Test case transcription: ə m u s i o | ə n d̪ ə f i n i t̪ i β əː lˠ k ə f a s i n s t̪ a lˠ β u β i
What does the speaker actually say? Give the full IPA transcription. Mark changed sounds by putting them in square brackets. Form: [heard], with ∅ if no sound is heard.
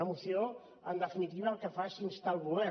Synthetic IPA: ə m u s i o | ə n d̪ ə f i n i t̪ i β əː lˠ k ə f a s i n s t̪ a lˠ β u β [ɛ]

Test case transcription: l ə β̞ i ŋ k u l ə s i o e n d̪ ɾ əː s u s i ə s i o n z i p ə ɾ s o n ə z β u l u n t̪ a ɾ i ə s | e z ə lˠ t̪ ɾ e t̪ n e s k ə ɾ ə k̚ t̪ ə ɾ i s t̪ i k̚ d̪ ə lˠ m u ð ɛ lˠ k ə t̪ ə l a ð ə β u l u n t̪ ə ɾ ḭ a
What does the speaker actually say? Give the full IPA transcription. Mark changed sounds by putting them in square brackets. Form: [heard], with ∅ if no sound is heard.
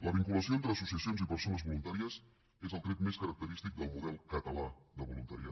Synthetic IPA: l ə β̞ i ŋ k u l ə s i o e n [t̪] ɾ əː s u s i ə s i o n z i p ə ɾ s o n ə z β u l u n t̪ a ɾ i ə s | e z ə lˠ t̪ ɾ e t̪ [m] e s k ə ɾ ə k̚ t̪ ə ɾ i s t̪ i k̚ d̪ ə lˠ m u ð ɛ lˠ k ə t̪ ə l a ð ə β u l u n t̪ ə ɾ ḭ a

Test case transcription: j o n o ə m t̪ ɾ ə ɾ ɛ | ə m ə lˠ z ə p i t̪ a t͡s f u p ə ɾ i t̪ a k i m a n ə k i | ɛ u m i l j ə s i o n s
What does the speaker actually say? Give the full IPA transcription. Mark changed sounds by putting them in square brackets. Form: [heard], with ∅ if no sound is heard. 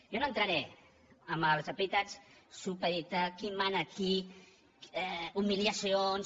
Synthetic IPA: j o n o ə [n] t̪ ɾ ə ɾ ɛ | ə m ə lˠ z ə p i t̪ a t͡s [s] u p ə ɾ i t̪ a k i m a n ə k i | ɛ u m i l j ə s i o n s

